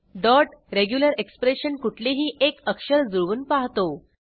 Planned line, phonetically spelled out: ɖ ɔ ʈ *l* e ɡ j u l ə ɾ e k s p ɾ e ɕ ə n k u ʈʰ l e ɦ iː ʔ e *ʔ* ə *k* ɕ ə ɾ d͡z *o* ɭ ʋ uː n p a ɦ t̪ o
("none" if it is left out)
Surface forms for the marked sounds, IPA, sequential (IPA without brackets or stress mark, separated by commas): ɾ, k, k, u